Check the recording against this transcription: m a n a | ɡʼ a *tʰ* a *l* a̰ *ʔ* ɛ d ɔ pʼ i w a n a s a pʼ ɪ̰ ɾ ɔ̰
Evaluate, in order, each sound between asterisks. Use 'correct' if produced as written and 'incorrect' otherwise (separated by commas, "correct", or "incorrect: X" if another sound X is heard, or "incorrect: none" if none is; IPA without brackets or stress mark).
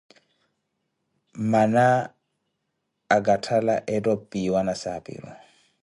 correct, correct, correct